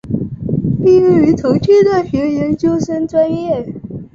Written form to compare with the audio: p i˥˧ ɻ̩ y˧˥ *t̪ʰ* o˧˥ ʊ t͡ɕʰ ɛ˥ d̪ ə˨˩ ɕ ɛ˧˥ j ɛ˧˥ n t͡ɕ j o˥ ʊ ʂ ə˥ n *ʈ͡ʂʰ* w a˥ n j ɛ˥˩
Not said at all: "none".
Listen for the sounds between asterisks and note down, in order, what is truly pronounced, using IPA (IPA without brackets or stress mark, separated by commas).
t̪ʰ, ʈ͡ʂ